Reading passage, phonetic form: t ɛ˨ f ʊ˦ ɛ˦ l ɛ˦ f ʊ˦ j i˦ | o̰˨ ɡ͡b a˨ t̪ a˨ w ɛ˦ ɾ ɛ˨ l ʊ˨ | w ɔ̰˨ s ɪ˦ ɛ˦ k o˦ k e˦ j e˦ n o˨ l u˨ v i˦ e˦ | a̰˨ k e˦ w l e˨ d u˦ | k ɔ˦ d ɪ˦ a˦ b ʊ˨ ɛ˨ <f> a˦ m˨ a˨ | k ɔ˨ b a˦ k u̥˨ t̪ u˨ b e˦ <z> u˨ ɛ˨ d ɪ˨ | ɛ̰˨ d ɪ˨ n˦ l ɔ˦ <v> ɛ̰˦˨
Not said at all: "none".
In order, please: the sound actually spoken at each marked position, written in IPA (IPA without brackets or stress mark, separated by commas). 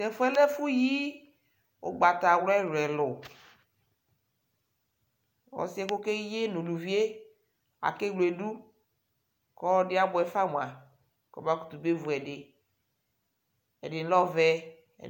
f, v, v